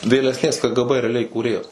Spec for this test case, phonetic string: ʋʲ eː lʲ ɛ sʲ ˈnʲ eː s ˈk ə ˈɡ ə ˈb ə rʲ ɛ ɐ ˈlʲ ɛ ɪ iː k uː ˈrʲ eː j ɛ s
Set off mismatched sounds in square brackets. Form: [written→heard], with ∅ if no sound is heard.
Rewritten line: ʋʲ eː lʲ ɛ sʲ ˈnʲ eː s ˈk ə ˈɡ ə ˈb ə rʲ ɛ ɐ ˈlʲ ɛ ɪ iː k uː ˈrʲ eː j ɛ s